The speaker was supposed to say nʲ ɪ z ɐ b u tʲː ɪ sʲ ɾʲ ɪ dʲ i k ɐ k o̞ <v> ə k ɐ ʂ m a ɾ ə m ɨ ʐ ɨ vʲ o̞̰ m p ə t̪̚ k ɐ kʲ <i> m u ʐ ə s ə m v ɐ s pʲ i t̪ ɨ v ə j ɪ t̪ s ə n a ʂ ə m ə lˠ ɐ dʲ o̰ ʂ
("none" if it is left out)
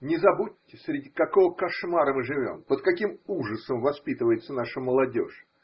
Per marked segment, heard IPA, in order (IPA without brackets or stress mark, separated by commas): v, i